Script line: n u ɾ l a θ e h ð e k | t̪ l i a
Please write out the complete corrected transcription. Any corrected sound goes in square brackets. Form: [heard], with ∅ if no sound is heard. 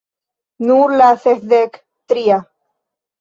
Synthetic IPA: n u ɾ l a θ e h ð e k | t̪ [ɾ] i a

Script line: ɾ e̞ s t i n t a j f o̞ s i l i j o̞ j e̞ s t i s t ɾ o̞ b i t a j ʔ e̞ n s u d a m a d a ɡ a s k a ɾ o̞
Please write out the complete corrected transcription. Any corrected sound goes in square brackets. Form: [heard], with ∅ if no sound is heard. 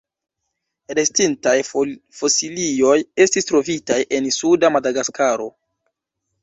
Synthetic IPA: ɾ e̞ s t i n t a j f o̞ s i l i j o̞ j e̞ s t i s t ɾ o̞ [v] i t a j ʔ e̞ n s u d a m a d a ɡ a s k a ɾ o̞

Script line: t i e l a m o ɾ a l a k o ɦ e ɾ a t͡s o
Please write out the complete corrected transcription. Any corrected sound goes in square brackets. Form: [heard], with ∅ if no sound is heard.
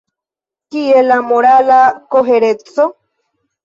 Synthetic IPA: [k] i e l a m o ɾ a l a k o ɦ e ɾ [e] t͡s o

